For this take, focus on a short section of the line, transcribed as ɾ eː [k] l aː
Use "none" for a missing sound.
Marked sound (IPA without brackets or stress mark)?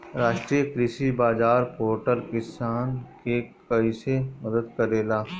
none